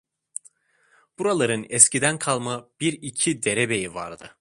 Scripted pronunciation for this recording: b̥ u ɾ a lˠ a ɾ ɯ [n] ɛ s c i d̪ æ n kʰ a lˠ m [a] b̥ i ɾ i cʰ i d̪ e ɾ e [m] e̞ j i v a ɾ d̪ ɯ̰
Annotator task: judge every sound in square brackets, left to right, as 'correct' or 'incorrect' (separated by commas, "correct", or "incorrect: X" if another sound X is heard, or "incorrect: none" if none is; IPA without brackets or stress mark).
correct, correct, incorrect: b